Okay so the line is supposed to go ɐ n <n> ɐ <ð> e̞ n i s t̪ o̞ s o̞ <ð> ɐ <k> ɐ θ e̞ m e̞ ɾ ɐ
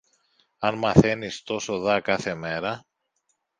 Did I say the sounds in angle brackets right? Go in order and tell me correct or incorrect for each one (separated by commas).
incorrect, incorrect, correct, correct